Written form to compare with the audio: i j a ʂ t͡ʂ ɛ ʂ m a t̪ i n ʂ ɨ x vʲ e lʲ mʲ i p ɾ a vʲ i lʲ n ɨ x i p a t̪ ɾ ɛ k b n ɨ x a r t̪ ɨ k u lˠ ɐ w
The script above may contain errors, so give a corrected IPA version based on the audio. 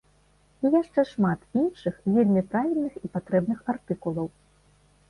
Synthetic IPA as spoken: i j a ʂ t͡ʂ ɛ ʂ m a t̪ i n ʂ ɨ x vʲ e lʲ mʲ i p ɾ a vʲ i lʲ n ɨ x i p a t̪ ɾ ɛ b n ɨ x a r t̪ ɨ k u lˠ ɐ w